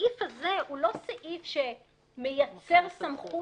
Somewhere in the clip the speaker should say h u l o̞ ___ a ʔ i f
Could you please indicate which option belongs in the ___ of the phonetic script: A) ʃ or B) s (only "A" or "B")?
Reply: B